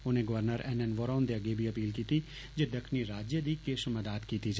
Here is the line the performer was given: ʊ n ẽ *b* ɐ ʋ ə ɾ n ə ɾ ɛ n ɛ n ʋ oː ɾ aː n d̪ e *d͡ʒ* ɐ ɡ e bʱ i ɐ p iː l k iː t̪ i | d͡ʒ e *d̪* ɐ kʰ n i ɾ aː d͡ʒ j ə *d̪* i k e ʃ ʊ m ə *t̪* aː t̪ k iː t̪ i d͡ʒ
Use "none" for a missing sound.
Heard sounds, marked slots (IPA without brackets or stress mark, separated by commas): ɡ, none, d̪, d̪, d̪